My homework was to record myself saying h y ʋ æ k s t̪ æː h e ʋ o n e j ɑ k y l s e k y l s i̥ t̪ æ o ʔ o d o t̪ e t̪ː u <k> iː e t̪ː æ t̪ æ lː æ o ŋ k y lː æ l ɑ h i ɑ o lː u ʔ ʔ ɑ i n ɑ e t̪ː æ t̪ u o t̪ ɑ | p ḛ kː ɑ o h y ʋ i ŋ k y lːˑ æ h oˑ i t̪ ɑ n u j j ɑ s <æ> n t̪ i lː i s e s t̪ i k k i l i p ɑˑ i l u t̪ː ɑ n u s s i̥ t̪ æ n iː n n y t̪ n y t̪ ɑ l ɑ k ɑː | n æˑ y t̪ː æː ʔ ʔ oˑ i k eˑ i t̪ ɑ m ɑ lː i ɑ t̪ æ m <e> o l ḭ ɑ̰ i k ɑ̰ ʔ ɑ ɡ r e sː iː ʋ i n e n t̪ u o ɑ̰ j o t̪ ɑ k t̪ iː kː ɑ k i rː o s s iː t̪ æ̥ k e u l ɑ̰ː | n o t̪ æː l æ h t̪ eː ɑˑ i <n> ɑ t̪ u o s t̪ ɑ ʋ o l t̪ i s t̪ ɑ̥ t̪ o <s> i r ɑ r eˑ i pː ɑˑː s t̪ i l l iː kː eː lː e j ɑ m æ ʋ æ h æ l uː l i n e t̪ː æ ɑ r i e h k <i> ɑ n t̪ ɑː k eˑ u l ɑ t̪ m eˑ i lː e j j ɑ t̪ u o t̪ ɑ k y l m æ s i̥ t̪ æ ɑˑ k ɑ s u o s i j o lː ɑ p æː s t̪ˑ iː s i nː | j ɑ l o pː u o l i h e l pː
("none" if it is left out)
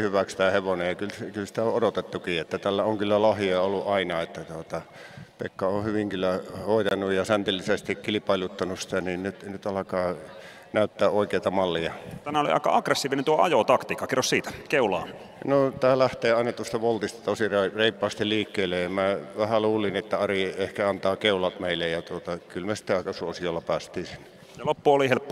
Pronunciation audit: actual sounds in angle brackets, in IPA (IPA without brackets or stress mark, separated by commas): k, æ, æ, n, s, æ